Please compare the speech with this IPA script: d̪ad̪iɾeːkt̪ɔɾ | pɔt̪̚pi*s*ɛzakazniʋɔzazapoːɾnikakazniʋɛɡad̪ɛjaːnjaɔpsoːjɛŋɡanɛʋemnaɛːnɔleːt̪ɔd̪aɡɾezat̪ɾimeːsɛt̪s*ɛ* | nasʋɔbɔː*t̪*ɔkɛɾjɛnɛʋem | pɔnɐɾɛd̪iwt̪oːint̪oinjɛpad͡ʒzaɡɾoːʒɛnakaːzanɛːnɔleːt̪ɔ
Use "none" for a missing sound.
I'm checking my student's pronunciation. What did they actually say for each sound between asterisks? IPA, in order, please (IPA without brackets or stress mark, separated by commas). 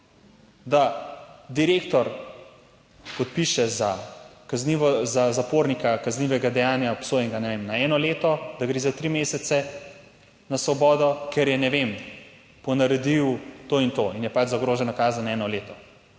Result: ʃ, ɛ, d̪